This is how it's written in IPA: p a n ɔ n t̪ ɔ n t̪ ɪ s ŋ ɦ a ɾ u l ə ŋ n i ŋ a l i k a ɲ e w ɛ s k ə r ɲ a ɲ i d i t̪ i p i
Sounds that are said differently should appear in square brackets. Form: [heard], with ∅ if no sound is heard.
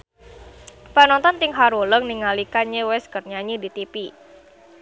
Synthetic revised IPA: p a n ɔ n t̪ ɔ n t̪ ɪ [∅] ŋ ɦ a ɾ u l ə ŋ n i ŋ a l i k a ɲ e w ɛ s k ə r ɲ a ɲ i d i t̪ i p i

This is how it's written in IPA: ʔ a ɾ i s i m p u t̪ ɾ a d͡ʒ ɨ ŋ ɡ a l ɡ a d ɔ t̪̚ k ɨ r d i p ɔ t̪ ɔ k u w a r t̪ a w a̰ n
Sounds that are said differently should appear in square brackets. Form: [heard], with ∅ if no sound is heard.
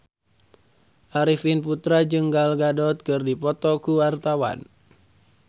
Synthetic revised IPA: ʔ a ɾ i [f] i [n] p u t̪ ɾ a d͡ʒ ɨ ŋ ɡ a l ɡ a d ɔ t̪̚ k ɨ r d i p ɔ t̪ ɔ k u w a r t̪ a w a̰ n

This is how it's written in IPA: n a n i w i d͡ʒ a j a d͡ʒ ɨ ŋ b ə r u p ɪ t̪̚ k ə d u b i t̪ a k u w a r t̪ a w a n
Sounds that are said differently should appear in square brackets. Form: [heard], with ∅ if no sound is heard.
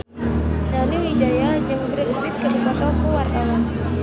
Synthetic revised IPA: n a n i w i d͡ʒ a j a d͡ʒ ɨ ŋ b ə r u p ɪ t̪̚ k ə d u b [a] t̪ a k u w a r t̪ a w a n

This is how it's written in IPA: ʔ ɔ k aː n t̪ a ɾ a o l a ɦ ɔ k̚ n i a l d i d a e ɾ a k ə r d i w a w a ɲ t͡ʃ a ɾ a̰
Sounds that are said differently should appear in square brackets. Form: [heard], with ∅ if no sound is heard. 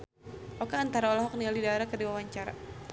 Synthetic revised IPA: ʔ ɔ k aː n t̪ a ɾ a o l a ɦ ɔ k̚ n i a l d i d a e ɾ a k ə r d i w a w a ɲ t͡ʃ a ɾ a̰

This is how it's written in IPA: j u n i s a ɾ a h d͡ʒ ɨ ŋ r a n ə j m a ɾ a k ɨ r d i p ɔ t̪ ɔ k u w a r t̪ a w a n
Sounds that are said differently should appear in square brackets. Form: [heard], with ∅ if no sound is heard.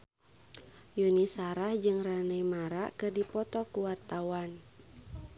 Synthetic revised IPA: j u n i s a ɾ a h d͡ʒ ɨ ŋ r a n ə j m a ɾ a k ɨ r d i p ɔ t̪ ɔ k u w a r t̪ a w a n

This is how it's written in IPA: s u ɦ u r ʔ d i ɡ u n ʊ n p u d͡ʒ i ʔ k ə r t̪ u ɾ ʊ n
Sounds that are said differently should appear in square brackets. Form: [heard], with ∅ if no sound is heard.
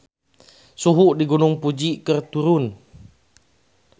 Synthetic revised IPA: s u ɦ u [∅] ʔ d i ɡ u n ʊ [ŋ] p u d͡ʒ i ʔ k ə r t̪ u ɾ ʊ n

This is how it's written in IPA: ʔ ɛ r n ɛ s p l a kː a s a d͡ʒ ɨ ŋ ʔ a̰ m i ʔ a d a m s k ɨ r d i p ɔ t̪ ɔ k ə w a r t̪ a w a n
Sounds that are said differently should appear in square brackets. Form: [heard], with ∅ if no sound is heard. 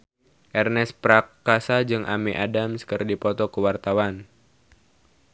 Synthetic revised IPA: ʔ ɛ r n ɛ s p [ɾ] a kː a s a d͡ʒ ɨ ŋ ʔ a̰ m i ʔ a d a m s k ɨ r d i p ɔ t̪ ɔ k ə w a r t̪ a w a n

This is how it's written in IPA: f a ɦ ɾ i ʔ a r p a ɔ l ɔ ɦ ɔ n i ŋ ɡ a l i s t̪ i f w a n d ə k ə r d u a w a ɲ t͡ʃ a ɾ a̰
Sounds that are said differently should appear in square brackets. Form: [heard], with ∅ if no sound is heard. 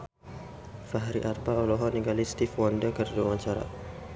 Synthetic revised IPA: f a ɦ ɾ i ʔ a r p a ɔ l ɔ ɦ ɔ n i ŋ ɡ a l i s t̪ i f w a n d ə k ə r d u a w a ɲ t͡ʃ a ɾ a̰

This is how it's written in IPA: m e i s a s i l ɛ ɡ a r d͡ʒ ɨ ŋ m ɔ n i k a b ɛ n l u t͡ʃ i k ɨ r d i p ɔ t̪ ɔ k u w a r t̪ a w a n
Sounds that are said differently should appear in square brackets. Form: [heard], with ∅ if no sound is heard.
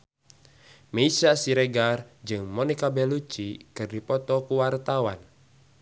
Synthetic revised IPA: m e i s a s i [ɾ] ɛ ɡ a r d͡ʒ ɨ ŋ m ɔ n i k a b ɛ [∅] l u t͡ʃ i k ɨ r d i p ɔ t̪ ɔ k u w a r t̪ a w a n

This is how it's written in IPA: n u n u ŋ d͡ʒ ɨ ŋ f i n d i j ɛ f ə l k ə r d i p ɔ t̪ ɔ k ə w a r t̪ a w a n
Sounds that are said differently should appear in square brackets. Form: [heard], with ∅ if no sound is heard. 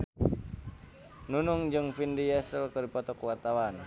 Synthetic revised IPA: n u n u ŋ d͡ʒ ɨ ŋ f i n d i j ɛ [s] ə l k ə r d i p ɔ t̪ ɔ k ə w a r t̪ a w a n

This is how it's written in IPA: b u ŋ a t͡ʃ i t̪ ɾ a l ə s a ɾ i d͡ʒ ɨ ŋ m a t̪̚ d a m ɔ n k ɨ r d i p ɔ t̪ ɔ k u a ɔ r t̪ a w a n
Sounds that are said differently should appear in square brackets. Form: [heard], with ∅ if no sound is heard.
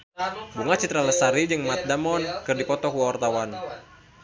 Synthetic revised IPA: b u ŋ a t͡ʃ i t̪ ɾ a l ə s a ɾ i d͡ʒ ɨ ŋ m a t̪̚ d a m ɔ n k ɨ r d i p ɔ t̪ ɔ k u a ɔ r t̪ a w a n

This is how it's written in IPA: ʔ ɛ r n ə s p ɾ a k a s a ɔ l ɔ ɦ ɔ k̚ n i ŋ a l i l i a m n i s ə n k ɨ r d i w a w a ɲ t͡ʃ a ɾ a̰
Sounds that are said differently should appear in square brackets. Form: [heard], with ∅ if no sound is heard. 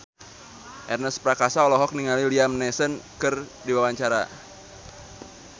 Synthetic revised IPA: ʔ ɛ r n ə s p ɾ a k a s a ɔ l ɔ ɦ ɔ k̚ n i ŋ a l i l i a m n [ɛ] s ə n k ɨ r d i w a w a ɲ t͡ʃ a ɾ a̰

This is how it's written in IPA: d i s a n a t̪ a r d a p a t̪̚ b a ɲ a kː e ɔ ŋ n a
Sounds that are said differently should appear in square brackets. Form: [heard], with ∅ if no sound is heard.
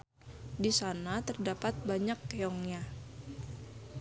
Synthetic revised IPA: d i s a n a t̪ [ə] r d a p a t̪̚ b a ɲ a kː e ɔ ŋ [ɲ] a

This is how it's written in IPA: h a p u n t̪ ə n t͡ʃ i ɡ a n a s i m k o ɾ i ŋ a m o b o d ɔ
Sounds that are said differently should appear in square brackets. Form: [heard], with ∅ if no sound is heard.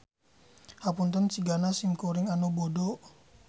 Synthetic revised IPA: h a p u n t̪ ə n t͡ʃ i ɡ a n a s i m k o ɾ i ŋ a [n] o b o d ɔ

